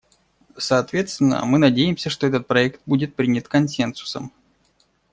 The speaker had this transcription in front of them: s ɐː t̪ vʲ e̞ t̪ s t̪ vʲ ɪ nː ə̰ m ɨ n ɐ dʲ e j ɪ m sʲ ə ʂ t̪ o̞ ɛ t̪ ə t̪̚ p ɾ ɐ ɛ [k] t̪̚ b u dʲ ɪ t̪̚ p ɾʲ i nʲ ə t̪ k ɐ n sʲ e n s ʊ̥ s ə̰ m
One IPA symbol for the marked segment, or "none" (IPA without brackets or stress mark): k